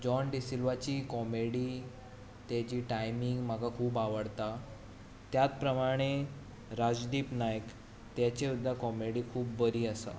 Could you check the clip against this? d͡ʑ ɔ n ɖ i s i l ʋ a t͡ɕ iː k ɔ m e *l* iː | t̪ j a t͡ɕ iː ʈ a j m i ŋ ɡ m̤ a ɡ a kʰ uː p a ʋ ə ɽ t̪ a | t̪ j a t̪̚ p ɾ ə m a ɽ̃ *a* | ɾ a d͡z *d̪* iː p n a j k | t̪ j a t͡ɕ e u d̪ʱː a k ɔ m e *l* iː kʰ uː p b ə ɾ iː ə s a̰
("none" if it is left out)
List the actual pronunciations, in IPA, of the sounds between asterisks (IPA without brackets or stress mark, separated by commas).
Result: ɽ, e, d̪, ɽ